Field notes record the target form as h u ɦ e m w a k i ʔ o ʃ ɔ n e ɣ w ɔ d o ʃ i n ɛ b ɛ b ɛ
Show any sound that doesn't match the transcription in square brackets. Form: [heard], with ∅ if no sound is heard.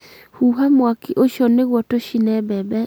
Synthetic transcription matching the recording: h u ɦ [a] m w a k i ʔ o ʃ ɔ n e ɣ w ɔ [t] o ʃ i n ɛ b ɛ b ɛ